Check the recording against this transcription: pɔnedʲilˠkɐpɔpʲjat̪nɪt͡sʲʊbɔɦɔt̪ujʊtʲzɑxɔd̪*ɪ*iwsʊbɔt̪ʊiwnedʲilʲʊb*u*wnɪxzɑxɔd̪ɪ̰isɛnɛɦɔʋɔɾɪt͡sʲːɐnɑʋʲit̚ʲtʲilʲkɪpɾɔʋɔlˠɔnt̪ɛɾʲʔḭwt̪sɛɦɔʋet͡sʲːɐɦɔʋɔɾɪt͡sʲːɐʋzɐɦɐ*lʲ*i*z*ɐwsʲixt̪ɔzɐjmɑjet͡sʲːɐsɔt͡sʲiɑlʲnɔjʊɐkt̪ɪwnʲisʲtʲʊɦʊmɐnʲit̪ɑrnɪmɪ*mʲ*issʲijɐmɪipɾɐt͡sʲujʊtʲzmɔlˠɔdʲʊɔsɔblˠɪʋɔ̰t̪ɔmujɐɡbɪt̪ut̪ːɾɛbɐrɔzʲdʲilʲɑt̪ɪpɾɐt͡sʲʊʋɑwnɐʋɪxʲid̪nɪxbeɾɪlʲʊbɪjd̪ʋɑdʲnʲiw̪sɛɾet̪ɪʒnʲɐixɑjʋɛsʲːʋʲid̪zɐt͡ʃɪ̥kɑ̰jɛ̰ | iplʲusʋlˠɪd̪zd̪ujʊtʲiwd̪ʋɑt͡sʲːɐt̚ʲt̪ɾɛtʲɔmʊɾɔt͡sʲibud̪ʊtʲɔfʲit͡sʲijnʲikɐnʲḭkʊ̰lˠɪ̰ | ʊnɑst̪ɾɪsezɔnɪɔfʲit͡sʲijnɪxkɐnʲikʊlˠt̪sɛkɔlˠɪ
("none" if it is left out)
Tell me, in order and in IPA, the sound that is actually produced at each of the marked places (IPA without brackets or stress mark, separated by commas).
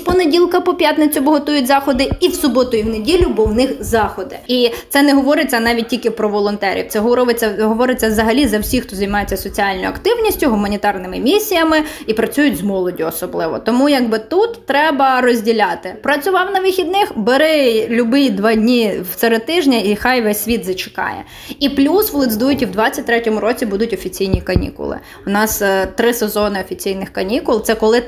ɪ, ɔ, lʲ, z, mʲ